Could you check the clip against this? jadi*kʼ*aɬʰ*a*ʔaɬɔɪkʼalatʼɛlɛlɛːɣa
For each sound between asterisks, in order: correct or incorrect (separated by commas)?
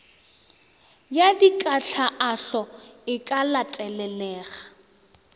correct, correct